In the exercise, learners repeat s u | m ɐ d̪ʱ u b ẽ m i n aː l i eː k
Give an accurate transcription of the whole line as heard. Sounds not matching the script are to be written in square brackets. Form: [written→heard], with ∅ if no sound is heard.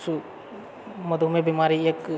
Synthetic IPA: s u | m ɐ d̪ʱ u [b→m] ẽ [m→b] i [n→m] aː [l→ɾ] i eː k

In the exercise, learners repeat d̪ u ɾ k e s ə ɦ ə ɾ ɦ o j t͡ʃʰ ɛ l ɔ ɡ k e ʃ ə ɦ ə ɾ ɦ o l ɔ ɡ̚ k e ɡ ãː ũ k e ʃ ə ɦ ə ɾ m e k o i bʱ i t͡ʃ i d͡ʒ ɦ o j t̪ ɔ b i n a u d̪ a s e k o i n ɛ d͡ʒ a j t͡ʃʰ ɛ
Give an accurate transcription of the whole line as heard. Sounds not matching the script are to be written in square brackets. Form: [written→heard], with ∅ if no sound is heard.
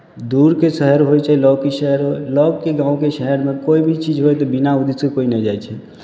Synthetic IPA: d̪ u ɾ k e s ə ɦ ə ɾ ɦ o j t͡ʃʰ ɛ l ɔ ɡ k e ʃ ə ɦ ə ɾ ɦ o l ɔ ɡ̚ k e ɡ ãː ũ k e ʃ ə ɦ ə ɾ m e k o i bʱ i t͡ʃ i d͡ʒ ɦ o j t̪ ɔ b i n a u d̪ [a→i] s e k o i n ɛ d͡ʒ a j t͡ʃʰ ɛ

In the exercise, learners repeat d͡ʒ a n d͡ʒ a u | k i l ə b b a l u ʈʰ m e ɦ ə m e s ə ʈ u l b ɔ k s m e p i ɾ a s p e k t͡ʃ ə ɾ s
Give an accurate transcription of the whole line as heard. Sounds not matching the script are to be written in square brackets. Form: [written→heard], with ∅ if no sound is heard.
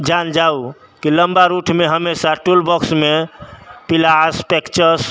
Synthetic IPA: d͡ʒ a n d͡ʒ a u | k i l ə [b→m] b a [l→ɾ] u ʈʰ m e ɦ ə m e s [ə→a] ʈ u l b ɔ k s m e p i [ɾ→l] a s p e k t͡ʃ ə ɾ s

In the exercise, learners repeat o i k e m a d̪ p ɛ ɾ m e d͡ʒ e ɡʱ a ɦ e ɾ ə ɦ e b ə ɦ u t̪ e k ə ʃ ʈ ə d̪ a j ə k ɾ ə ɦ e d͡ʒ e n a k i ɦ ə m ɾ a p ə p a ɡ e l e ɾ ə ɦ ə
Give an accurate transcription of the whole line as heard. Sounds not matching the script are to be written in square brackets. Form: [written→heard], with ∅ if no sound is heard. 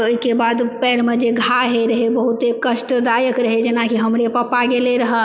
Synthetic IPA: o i k e [m→b] a d̪ p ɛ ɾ m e d͡ʒ e ɡʱ a ɦ e ɾ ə ɦ e b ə ɦ u t̪ e k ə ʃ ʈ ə d̪ a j ə k ɾ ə ɦ e d͡ʒ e n a k i ɦ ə m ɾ [a→e] p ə p a ɡ e l e ɾ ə ɦ ə

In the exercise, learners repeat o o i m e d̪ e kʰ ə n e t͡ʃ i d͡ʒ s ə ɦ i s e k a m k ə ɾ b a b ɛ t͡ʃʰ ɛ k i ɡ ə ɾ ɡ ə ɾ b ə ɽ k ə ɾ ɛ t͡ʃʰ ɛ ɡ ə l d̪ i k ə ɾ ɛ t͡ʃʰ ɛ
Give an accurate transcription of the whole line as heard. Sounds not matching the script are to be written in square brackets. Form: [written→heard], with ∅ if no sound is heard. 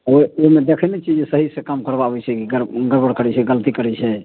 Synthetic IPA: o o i m e d̪ e kʰ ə n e t͡ʃ i d͡ʒ s ə ɦ i s e k a m k ə ɾ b a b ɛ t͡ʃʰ ɛ k i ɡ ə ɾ ɡ ə ɾ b ə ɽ k ə ɾ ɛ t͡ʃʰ ɛ ɡ ə l [d̪→t̪] i k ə ɾ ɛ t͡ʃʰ ɛ

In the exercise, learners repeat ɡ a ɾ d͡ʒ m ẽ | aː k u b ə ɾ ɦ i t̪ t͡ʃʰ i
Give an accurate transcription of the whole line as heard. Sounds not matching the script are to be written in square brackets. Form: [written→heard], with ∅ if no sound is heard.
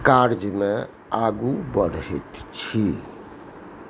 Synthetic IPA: [ɡ→k] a ɾ d͡ʒ m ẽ | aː [k→ɡ] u b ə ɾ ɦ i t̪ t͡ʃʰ i

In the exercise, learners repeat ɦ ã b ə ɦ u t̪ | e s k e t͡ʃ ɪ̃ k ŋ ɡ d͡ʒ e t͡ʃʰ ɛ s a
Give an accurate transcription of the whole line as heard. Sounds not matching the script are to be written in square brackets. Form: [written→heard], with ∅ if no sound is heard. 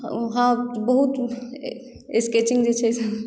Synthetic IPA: ɦ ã b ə ɦ u t̪ | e s k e t͡ʃ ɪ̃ [k→∅] ŋ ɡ d͡ʒ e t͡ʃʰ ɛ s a

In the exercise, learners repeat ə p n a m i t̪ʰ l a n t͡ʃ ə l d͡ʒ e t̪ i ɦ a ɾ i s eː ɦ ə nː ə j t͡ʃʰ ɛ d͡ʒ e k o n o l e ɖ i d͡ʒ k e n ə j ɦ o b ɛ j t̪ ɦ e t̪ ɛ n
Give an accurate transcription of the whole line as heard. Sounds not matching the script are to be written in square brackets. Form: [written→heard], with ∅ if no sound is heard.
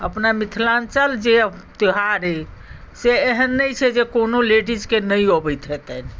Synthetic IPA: ə p n a m i t̪ʰ l a n t͡ʃ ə l d͡ʒ e t̪ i ɦ a ɾ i s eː ɦ ə nː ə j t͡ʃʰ ɛ d͡ʒ e k o n o l e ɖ i d͡ʒ k e n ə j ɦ o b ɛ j t̪ ɦ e t̪ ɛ n

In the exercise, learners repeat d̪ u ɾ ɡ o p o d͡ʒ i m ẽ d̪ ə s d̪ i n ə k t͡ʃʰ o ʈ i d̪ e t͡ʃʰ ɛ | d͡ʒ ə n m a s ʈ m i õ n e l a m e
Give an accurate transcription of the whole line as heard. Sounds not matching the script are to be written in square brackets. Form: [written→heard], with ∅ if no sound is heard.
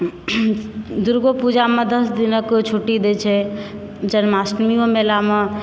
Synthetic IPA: d̪ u ɾ ɡ o p [o→u] d͡ʒ [i→a] m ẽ d̪ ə s d̪ i n ə k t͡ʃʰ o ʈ i d̪ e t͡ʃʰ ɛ | d͡ʒ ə n m a s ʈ m i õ [n→m] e l a m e

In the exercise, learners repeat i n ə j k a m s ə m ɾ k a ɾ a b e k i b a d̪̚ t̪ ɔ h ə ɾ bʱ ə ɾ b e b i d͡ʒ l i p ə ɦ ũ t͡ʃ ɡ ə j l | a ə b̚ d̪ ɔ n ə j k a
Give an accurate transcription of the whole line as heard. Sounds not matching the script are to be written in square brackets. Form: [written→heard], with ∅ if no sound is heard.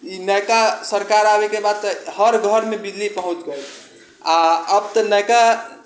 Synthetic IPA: i n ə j k a [m→∅] s ə [m→∅] ɾ k a ɾ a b e k [i→e] b a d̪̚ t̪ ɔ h ə ɾ [bʱ→ɡʱ] ə ɾ [b→m] e b i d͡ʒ l i p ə ɦ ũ t͡ʃ ɡ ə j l | a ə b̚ [d̪→t̪] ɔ n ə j k a

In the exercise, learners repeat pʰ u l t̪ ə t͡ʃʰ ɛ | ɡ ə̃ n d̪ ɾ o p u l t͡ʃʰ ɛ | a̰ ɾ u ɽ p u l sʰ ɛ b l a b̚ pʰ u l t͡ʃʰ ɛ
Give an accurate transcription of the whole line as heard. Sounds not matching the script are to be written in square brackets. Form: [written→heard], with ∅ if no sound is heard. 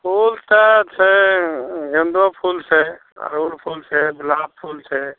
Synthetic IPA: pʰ u l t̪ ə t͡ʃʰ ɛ | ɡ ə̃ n d̪ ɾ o [p→pʰ] u l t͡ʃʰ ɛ | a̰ ɾ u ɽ [p→pʰ] u l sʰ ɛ b l a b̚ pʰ u l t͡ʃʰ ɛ

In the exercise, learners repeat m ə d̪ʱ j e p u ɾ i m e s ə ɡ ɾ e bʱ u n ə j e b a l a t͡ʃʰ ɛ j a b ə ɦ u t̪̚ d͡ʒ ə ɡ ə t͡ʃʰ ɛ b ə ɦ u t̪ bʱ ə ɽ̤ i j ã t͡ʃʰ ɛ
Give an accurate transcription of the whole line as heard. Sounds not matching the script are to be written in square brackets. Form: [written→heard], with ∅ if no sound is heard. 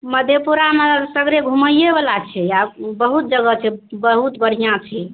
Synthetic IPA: m ə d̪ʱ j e p u ɾ [i→a] m e s ə ɡ ɾ e [bʱ→ɡʱ] u [n→m] ə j e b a l a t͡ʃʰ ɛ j a b ə ɦ u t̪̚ d͡ʒ ə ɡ ə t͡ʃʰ ɛ b ə ɦ u t̪ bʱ ə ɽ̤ i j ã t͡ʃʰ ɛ

